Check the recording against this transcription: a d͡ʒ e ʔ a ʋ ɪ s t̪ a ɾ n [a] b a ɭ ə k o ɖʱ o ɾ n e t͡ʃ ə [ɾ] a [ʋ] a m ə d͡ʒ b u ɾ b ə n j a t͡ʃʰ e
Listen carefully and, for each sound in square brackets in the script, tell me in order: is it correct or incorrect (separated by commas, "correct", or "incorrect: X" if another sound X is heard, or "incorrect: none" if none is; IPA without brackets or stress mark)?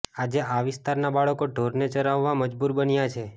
correct, correct, incorrect: ʋː